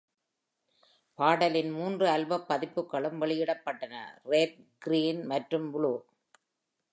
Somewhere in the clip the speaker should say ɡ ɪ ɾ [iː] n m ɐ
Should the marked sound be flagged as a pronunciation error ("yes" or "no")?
no